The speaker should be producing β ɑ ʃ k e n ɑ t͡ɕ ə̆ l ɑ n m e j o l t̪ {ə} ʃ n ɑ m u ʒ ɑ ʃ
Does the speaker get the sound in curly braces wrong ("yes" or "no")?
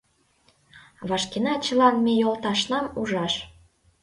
yes